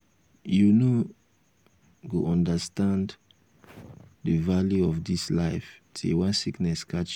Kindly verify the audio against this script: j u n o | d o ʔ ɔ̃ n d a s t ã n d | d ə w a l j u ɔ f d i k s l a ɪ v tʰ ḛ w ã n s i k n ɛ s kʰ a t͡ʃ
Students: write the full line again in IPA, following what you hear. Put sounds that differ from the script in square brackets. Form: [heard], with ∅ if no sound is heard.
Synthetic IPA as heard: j u n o | [ɡ] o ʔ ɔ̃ n d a s t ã n d | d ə [v] a l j u ɔ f d i [∅] s l a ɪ [f] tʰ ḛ w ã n s i k n ɛ s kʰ a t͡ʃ